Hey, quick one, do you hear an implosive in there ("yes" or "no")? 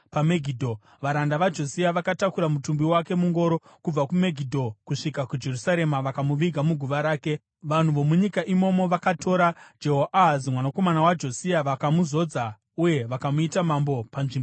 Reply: no